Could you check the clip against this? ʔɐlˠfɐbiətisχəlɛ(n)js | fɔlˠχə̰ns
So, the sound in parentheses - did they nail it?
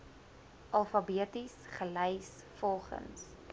no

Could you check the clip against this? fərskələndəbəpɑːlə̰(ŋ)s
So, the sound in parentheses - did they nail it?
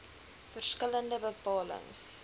yes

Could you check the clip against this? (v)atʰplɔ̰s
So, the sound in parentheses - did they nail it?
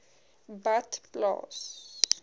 no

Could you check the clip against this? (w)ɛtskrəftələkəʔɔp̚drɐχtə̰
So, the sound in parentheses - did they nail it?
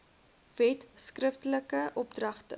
no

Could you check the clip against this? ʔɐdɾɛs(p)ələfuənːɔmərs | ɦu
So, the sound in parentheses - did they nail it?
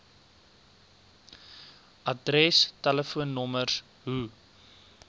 no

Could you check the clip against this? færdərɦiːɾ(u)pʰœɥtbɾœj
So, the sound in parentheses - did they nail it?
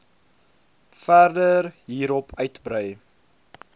no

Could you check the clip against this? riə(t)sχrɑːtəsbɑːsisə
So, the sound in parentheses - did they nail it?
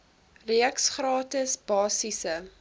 no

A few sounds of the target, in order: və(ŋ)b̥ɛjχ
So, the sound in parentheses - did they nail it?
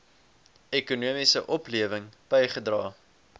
yes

